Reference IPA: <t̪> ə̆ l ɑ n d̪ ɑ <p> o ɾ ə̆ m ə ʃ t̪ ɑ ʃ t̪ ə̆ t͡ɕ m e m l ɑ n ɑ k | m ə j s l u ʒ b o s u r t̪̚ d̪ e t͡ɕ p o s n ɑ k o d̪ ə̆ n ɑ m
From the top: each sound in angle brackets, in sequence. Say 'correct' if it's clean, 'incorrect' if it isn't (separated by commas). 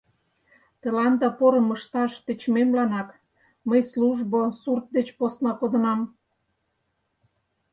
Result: correct, correct